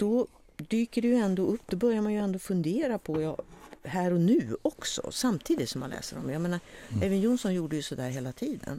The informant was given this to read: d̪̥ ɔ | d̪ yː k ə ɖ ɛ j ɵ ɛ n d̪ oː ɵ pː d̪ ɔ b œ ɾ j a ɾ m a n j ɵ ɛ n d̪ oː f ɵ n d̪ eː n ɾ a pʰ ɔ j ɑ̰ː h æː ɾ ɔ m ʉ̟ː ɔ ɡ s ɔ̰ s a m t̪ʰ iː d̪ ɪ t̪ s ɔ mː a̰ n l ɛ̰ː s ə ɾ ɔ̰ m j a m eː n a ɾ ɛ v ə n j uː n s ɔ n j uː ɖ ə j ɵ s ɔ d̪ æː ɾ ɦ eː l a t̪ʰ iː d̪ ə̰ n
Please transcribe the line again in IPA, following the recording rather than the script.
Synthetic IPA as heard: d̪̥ ɔ | d̪ yː k ə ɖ ɛ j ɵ ɛ n d̪ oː ɵ pː d̪ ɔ b œ ɾ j a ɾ m a n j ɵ ɛ n d̪ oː f ɵ n d̪ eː ɾ a pʰ ɔ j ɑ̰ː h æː ɾ ɔ n ʉ̟ː ɔ k s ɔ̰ s a m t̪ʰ iː d̪ ɪ t̪ s ɔ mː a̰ n l ɛ̰ː s ə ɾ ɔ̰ m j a m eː n a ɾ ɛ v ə n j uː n s ɔ n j uː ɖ ə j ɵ s ɔ d̪ æː ɾ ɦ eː l a t̪ʰ iː d̪ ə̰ n